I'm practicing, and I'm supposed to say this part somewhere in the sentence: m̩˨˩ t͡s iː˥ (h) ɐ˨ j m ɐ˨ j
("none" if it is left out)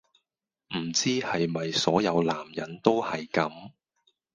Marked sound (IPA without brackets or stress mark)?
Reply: h